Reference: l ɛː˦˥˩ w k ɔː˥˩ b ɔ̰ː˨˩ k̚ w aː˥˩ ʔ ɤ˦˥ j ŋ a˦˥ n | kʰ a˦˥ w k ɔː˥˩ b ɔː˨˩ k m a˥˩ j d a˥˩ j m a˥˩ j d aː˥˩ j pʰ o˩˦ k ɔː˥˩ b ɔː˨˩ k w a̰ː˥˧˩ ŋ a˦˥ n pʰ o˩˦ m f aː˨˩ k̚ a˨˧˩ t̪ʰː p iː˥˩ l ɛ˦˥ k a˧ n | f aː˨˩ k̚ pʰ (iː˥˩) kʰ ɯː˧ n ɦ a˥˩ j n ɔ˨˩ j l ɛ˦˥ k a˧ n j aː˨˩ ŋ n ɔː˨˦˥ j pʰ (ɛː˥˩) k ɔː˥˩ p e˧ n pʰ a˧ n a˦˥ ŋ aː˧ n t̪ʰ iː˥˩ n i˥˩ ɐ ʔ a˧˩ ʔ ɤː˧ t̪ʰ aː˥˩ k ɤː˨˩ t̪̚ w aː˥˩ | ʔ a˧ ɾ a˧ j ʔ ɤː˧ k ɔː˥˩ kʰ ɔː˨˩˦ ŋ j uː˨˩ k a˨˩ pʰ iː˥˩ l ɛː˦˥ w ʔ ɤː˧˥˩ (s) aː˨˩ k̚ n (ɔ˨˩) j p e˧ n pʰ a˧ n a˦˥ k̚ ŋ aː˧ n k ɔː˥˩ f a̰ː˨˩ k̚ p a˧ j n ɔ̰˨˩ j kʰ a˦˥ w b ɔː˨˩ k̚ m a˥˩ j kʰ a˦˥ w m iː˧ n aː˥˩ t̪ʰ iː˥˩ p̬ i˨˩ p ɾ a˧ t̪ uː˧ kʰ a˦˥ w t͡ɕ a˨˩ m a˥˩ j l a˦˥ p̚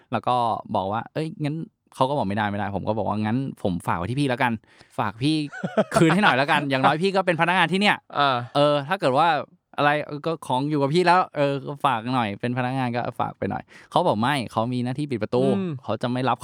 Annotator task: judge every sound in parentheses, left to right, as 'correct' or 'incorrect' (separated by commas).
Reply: correct, incorrect, incorrect, correct